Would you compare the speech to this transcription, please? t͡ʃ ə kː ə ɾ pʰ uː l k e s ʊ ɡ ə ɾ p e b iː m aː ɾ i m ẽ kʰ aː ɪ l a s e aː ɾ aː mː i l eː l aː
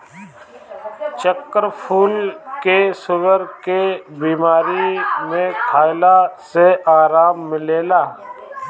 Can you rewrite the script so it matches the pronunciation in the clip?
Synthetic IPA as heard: t͡ʃ ə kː ə ɾ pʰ uː l k e s ʊ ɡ ə ɾ k e b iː m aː ɾ i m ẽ kʰ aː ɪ l a s e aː ɾ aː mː ɪ l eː l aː